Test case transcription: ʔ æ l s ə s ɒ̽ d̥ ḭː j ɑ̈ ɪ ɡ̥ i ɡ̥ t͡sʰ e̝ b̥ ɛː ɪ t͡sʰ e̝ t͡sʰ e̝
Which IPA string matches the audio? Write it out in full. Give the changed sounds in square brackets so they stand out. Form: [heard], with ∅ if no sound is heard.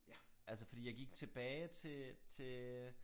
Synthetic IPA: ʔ æ l s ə [f] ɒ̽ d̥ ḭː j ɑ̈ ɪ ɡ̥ i ɡ̥ t͡sʰ e̝ b̥ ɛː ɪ t͡sʰ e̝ t͡sʰ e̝